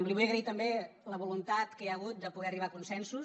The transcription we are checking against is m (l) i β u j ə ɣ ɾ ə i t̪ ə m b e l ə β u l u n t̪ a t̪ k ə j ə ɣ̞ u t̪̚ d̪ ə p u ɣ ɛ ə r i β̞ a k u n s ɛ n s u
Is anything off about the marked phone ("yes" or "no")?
no